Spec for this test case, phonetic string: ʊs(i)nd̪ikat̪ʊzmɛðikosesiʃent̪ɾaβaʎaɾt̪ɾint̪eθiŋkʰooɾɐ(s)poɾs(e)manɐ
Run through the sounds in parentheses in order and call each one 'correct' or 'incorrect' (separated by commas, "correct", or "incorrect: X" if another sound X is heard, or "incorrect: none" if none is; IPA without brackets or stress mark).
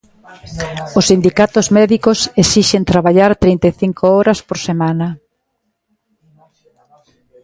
correct, correct, correct